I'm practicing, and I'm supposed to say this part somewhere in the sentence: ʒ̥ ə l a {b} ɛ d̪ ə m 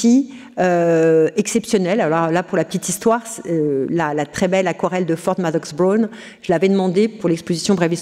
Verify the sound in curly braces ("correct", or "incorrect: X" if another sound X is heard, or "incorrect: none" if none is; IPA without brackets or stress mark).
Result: incorrect: v